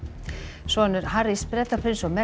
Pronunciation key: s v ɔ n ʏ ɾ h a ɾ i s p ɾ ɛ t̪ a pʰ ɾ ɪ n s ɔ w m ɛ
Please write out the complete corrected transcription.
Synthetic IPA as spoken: s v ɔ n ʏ ɾ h a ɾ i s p ɾ ɛ t̪ a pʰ ɾ ɪ n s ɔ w m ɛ

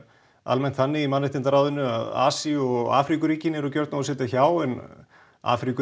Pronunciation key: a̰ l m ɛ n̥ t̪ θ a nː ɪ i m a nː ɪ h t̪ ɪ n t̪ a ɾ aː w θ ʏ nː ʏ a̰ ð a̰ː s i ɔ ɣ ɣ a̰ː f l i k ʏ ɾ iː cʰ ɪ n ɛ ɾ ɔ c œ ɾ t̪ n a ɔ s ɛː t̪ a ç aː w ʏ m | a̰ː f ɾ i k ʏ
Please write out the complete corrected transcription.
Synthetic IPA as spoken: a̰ l m ɛ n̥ t̪ θ a nː ɪ i m a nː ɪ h t̪ ɪ n t̪ a ɾ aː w ð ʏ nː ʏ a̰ ð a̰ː s i ɔ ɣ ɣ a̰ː f ɾ i k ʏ ɾ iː c ɪ n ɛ ɾ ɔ c œ ɾ t̪ n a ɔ s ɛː t̪ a ç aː w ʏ n | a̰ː f ɾ i k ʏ

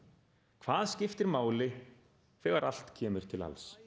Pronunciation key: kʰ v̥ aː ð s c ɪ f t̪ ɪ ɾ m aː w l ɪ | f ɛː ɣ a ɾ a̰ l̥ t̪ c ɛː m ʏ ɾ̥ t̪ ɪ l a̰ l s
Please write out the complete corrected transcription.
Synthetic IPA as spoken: kʰ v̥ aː ð s c ɪ f t̪ ɪ ɾ m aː w l ɪ | f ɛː ɣ a ɾ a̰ l̥ t̪ cʰ ɛː m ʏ ɾ̥ t̪ʰ ɪ l a̰ l s

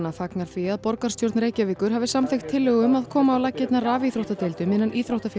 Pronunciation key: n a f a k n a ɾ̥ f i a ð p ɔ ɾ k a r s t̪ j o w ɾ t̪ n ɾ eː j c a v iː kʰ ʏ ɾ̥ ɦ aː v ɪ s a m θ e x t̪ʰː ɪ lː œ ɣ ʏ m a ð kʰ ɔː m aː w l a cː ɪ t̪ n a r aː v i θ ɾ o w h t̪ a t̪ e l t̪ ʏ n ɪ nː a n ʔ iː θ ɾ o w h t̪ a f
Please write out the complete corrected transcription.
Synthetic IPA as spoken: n a f a k n a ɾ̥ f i a ð p ɔ ɾ k a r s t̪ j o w ɾ t̪ n ɾ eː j c a v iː k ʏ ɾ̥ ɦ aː v ɪ s a m θ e x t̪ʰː ɪ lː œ ɣ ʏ m a ð kʰ ɔː m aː w l a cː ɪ t̪ n a r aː v i θ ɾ o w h t̪ a t̪ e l t̪ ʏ m ɪ nː a n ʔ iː θ ɾ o w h t̪ a f

